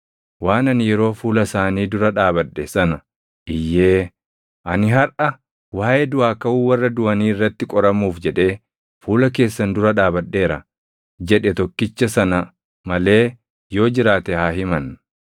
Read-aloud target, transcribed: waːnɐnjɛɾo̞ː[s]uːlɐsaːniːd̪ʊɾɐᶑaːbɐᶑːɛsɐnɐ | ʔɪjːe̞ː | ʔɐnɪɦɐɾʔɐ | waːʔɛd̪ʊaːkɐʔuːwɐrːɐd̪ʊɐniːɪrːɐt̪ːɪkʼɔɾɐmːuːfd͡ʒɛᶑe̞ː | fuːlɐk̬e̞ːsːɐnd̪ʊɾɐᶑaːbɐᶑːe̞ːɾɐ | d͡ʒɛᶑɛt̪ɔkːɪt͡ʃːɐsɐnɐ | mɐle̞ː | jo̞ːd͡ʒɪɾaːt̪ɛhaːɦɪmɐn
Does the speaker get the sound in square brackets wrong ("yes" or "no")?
yes